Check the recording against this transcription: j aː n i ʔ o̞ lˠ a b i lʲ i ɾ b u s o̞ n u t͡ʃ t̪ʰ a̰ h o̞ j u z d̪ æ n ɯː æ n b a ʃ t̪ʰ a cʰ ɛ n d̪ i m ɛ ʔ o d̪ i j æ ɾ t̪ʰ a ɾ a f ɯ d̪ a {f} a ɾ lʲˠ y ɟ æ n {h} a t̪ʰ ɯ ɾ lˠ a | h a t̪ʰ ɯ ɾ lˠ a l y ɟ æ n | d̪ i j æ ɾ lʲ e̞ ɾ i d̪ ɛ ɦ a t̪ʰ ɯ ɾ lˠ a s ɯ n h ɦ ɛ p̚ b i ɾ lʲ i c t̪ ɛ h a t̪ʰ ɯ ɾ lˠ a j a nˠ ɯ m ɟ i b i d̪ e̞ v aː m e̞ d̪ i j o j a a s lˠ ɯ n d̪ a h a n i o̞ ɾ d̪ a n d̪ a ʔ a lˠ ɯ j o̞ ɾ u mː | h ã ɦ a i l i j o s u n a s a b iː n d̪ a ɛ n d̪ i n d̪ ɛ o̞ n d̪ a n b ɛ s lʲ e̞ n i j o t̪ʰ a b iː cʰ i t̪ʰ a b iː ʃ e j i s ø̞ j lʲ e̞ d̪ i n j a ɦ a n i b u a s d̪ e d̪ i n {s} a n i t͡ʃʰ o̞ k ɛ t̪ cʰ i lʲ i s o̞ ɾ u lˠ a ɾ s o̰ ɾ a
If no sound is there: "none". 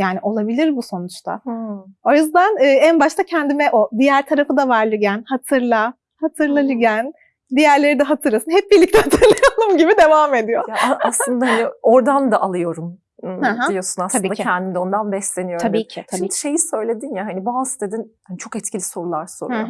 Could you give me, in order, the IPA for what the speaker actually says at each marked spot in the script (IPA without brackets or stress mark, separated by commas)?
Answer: v, h, h